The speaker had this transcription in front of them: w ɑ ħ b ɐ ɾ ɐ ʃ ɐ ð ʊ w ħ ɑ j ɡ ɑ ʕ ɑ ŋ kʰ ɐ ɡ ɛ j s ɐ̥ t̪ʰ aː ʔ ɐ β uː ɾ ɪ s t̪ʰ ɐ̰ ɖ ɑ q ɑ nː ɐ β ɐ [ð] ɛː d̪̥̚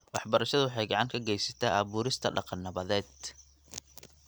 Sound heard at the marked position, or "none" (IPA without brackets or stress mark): ð